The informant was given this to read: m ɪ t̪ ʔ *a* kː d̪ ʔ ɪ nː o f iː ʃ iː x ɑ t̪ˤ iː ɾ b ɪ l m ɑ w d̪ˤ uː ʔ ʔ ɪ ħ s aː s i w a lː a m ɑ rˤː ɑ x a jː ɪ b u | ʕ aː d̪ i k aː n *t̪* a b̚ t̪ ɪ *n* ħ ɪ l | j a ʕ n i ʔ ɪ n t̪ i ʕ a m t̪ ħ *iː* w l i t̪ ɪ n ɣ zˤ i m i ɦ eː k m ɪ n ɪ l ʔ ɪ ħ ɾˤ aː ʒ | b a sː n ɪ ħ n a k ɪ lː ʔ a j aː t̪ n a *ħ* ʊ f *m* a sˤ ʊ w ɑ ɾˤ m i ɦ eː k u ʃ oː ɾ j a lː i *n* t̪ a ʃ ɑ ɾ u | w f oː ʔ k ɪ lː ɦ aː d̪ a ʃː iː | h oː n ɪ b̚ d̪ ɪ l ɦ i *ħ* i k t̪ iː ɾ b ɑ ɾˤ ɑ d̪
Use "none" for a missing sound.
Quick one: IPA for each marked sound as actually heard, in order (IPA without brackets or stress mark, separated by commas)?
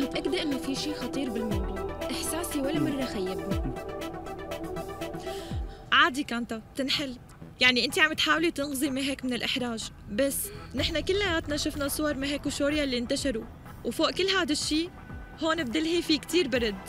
a, t̪, n, aː, ʃ, n, n, f